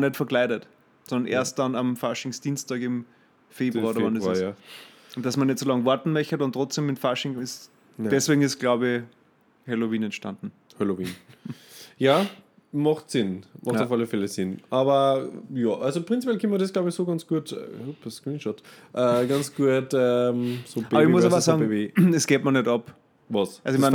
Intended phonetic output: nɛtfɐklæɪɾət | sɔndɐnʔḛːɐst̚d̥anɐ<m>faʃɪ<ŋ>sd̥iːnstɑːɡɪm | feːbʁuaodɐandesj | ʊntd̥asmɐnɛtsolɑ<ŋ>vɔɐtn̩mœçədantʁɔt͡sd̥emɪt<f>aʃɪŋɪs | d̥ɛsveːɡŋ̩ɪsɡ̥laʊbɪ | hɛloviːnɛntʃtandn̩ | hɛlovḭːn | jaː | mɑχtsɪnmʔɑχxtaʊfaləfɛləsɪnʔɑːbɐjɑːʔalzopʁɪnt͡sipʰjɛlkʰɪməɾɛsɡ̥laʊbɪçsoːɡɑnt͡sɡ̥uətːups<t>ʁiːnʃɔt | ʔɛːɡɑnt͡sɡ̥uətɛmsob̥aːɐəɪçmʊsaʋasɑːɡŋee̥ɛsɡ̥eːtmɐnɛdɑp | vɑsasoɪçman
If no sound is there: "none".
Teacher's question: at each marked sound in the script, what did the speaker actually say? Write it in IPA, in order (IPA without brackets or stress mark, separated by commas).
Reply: m, ŋ, ŋ, f, k